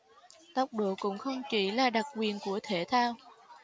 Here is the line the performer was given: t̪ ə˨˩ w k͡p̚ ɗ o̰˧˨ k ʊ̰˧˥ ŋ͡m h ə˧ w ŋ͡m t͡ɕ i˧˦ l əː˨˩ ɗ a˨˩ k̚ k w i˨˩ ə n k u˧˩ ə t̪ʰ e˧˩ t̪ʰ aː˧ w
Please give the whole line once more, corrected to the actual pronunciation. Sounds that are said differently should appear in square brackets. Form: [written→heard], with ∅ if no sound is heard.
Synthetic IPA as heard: t̪ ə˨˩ w k͡p̚ ɗ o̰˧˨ k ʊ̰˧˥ ŋ͡m [h→x] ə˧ w ŋ͡m t͡ɕ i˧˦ l [əː˨˩→aː˨˩] ɗ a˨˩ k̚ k w i˨˩ ə n k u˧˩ ə t̪ʰ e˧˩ t̪ʰ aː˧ w